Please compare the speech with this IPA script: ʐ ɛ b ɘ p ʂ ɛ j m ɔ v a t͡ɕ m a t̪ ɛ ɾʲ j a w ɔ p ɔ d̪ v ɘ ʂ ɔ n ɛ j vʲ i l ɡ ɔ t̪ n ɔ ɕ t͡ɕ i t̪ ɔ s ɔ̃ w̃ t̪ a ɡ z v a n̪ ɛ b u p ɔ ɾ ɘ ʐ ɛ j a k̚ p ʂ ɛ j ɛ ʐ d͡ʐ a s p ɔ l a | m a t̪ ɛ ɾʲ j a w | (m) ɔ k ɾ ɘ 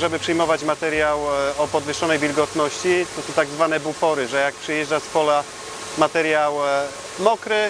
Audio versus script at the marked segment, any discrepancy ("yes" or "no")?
no